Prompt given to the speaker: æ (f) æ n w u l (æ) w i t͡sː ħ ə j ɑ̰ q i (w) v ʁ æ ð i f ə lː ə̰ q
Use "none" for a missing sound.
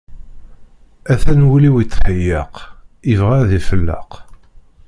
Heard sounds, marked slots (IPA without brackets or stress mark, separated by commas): θ, i, none